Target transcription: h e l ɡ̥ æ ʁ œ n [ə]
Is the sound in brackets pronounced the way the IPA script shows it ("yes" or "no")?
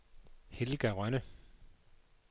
yes